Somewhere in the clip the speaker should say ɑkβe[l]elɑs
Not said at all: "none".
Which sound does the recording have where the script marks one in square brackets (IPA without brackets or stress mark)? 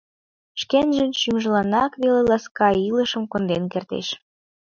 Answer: l